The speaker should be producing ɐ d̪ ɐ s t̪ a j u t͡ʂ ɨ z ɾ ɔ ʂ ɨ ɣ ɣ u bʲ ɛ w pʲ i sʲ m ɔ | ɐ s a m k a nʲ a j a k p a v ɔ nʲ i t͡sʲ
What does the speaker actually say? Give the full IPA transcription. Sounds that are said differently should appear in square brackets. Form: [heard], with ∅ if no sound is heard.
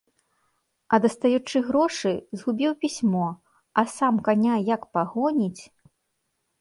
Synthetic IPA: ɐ d̪ ɐ s t̪ a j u t͡ʂ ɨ [ɣ] ɾ ɔ ʂ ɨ [z] ɣ u bʲ [i] w pʲ i sʲ m ɔ | ɐ s a m k a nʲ a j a k p a [ɣ] ɔ nʲ i t͡sʲ